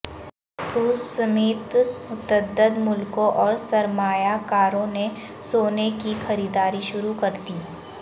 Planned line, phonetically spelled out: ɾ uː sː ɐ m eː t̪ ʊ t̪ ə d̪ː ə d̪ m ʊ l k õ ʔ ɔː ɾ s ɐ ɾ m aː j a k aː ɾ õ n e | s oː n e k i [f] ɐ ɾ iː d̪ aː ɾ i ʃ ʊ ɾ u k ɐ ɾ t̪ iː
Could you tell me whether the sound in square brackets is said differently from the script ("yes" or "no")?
yes